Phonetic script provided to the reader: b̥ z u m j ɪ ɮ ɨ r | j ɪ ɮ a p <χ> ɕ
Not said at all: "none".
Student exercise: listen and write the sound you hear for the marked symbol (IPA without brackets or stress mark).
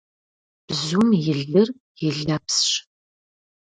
s